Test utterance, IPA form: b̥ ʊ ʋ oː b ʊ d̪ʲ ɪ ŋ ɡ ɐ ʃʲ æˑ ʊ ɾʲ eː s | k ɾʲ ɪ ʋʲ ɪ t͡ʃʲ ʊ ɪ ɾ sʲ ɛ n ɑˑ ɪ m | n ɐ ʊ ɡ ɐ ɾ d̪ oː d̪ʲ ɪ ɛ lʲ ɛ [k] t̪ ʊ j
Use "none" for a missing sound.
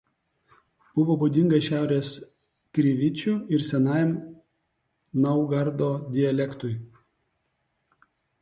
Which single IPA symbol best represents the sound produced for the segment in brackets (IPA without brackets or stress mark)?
k